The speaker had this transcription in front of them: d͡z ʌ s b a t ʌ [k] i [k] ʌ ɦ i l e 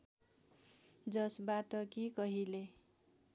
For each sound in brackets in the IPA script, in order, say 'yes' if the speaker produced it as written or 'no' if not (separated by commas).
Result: yes, yes